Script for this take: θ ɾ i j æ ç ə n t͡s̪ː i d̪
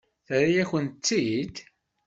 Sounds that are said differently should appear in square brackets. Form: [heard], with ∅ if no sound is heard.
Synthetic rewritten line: θ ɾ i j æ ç ə n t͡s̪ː i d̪